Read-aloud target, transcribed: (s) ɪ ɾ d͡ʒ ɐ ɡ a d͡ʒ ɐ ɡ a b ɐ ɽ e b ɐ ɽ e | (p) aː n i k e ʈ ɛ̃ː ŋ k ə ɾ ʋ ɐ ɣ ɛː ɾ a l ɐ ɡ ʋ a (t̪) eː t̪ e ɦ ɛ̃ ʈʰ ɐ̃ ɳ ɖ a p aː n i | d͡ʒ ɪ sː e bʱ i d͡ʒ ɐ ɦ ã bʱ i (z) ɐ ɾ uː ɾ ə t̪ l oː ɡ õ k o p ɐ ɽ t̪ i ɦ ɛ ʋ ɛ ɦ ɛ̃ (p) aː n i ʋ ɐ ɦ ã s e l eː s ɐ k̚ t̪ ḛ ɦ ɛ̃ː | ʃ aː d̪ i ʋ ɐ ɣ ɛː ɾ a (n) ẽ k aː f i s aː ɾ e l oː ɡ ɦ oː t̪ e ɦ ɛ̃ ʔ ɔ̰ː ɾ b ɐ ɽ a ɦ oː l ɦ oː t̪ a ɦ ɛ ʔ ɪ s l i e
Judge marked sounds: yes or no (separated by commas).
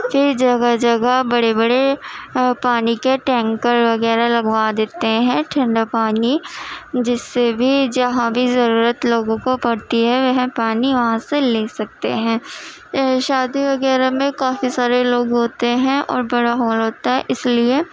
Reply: no, yes, no, yes, yes, no